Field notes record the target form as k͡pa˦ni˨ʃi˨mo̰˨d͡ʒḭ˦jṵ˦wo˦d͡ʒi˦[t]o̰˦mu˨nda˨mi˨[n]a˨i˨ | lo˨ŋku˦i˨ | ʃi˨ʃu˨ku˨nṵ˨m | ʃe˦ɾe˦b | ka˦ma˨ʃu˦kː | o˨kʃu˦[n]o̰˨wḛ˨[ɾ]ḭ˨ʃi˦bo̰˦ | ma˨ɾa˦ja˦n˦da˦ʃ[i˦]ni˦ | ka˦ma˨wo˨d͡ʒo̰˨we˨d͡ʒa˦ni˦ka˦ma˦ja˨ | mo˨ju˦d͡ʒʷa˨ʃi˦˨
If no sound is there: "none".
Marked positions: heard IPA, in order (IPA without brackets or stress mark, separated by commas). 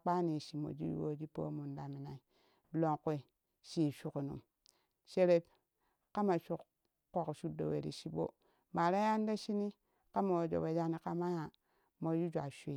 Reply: p, n, d, ɾ, i˦